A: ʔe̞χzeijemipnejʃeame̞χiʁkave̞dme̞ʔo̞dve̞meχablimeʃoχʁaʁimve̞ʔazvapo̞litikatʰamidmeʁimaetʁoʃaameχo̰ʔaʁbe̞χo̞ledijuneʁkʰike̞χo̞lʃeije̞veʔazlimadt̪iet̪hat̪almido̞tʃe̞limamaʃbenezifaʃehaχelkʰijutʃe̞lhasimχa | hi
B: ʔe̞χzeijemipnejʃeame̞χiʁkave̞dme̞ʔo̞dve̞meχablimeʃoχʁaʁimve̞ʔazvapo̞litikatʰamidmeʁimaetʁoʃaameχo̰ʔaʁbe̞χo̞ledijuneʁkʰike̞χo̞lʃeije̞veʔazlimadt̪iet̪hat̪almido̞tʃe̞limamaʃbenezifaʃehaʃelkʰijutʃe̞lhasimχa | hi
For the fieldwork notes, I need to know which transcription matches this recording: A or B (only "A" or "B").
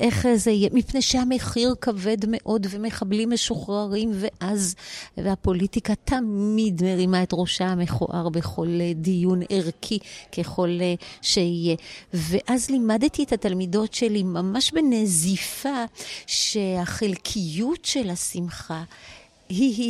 A